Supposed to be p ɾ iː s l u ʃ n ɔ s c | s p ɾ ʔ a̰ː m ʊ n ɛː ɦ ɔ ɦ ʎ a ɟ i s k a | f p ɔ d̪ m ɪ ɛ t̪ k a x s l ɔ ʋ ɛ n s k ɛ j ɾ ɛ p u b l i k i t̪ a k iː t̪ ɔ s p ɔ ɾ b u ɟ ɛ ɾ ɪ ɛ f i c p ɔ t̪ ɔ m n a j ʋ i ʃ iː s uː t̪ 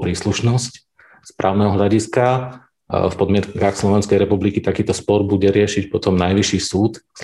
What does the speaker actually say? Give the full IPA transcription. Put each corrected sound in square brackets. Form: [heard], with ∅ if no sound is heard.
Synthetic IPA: p ɾ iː s l u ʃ n ɔ s c | s p ɾ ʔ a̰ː [∅] ʊ n [ɛ] ɦ ɔ ɦ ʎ a ɟ i s k a | f p ɔ d̪ m ɪ ɛ t̪ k a x s l ɔ ʋ ɛ n s k ɛ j ɾ ɛ p u b l i k i t̪ a k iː t̪ ɔ s p ɔ ɾ b u ɟ ɛ ɾ ɪ ɛ [ʃ] i c p ɔ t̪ ɔ m n a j ʋ i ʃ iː s uː t̪